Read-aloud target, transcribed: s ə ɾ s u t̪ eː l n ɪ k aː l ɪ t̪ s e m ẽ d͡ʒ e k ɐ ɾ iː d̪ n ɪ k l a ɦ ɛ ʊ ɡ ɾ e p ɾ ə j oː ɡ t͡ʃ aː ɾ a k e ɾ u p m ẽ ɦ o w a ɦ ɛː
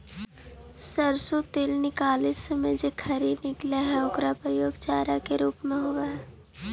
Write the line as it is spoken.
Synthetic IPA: s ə ɾ s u t̪ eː l n ɪ k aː l ɪ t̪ s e m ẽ d͡ʒ e kʰ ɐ ɾ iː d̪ n ɪ k l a ɦ ɛ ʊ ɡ ɾ a p ɾ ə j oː ɡ t͡ʃ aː ɾ a k e ɾ uː p m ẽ ɦ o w a ɦ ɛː